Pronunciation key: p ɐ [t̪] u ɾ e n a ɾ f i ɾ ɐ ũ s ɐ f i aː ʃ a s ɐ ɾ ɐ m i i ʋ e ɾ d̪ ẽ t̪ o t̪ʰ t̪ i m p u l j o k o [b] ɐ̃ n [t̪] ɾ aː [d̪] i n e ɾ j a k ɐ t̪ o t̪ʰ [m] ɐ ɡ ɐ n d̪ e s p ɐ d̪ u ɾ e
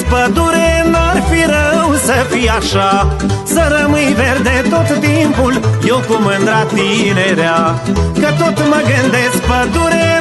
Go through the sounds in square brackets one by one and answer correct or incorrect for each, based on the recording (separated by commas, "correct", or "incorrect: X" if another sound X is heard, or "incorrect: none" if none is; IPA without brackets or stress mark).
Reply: incorrect: d̪, incorrect: m, incorrect: d̪, incorrect: t̪, correct